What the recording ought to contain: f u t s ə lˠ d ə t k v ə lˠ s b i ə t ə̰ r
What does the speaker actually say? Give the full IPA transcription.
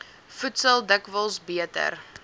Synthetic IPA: f u t s ə lˠ d ə k v ə lˠ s b i ə t ə̰ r

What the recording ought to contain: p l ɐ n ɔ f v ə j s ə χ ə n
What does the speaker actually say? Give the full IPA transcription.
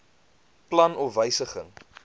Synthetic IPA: p l ɐ n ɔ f v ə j s ə χ ə ŋ

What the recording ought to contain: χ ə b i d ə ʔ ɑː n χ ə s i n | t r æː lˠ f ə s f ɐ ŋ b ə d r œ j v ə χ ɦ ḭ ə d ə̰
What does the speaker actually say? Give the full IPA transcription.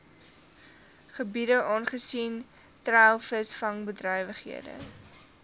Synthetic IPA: χ ə b i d ə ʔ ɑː n χ ə s i n | t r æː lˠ f ə s f ɐ ŋ b ə d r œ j v ə χ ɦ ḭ ə d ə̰

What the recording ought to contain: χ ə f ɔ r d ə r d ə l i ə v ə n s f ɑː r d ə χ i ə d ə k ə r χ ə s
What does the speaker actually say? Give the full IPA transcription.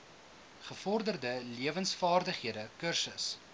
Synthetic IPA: χ ə f ɔ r d ə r d ə l i ə v ə n s f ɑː r d ə χ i ə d ə k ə r s ə s

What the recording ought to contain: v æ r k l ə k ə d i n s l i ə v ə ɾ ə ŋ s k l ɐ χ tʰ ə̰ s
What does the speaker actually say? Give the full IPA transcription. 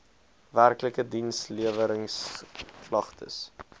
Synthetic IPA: v æ r k l ə k ə d i n s l i ə v ə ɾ ə ŋ s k l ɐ χ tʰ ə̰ s

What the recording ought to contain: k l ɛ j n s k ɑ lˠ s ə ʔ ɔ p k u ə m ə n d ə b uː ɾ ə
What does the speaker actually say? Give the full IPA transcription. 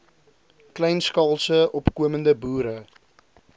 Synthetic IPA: k l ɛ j n s k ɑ lˠ s ə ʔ ɔ p k u ə m ə n d ə b uː ɾ ə

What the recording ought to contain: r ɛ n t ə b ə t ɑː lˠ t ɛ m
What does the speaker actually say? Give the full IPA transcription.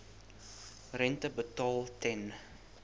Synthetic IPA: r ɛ n t ə b ə t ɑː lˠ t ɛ n

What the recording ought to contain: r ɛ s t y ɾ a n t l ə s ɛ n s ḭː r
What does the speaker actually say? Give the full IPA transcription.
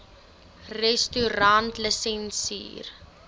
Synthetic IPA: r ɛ s t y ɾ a n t l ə s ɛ n s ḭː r

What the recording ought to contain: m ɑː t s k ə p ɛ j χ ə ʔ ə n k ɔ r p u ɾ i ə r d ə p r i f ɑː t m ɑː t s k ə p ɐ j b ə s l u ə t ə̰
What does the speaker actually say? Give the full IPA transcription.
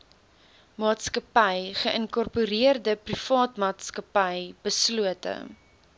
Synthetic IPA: m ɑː t s k ə p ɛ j χ ə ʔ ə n k ɔ r p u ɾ i ə r d ə p r i f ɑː t m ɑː t s k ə p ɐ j b ə s l u ə t ə̰

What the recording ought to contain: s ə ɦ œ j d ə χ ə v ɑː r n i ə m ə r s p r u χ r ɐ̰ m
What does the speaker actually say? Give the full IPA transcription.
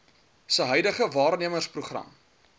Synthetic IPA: s ə ɦ œ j d ə χ ə v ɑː r n i ə m ə r s p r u χ r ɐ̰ m

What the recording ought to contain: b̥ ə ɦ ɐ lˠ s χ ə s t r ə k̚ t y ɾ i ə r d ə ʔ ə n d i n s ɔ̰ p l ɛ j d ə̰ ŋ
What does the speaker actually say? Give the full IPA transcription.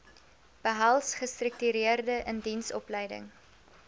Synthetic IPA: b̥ ə ɦ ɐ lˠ s χ ə s t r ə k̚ t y ɾ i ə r d ə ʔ ə n d i n s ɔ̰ p l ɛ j d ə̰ ŋ

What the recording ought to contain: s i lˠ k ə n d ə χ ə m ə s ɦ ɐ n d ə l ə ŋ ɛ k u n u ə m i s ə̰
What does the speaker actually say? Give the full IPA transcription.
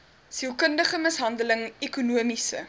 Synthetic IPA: s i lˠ k ə n d ə χ ə m ə s ɦ ɐ n d ə l ə ŋ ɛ k u n u ə m i s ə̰

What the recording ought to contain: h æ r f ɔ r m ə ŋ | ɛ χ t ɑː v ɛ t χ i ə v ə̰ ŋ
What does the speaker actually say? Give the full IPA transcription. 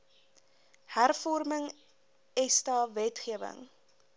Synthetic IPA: h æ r f ɔ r m ə ŋ | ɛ s t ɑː v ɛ t χ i ə v ə̰ ŋ

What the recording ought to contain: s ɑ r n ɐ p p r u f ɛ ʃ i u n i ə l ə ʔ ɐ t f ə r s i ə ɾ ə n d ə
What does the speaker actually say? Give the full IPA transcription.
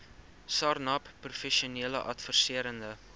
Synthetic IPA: s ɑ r n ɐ p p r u f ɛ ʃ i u n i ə l ə ʔ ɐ t f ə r s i ə ɾ ə n d ə

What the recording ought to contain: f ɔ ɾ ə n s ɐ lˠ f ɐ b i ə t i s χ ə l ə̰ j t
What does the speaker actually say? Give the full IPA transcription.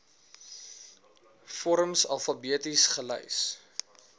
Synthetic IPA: f ɔ ɾ ə m s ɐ lˠ f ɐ b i ə t i s χ ə l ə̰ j s

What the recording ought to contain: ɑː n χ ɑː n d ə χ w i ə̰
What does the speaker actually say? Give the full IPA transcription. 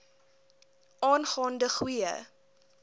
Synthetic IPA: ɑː n χ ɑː n d ə χ w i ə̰

